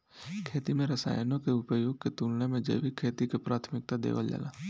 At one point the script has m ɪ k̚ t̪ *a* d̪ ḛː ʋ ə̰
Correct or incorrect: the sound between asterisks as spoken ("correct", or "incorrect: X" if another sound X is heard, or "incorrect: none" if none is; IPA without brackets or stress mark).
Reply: correct